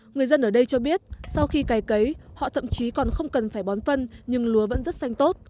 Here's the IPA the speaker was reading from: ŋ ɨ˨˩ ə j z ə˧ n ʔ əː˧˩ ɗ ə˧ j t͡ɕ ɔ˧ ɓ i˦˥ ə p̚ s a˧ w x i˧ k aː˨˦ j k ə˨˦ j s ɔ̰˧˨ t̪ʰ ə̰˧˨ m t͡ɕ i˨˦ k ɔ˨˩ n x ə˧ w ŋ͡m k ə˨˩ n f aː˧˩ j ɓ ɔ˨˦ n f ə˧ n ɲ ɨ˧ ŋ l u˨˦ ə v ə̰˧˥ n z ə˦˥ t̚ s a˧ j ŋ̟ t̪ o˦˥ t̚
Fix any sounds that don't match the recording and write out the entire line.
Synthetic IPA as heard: ŋ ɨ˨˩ ə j z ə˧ n ʔ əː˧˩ ɗ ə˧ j t͡ɕ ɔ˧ ɓ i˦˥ ə t̚ s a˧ w x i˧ k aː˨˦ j k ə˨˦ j h ɔ̰˧˨ t̪ʰ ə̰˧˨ m t͡ɕ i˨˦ k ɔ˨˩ n x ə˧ w ŋ͡m k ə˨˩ n f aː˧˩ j ɓ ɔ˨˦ n f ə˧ n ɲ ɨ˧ ŋ l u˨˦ ə v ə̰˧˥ n z ə˦˥ t̚ s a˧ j ŋ̟ t̪ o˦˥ t̚